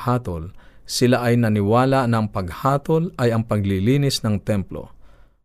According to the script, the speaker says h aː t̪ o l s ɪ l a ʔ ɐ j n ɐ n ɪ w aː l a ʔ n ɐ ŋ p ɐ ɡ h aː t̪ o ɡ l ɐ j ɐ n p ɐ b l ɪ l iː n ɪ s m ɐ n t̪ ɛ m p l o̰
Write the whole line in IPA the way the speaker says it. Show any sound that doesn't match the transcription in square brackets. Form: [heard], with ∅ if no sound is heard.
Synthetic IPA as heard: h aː t̪ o l s ɪ l a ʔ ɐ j n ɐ n ɪ w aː l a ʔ n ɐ ŋ p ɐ ɡ h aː t̪ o [∅] l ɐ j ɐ [ŋ] p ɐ [ɡ] l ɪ l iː n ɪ s [n] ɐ [ŋ] t̪ ɛ m p l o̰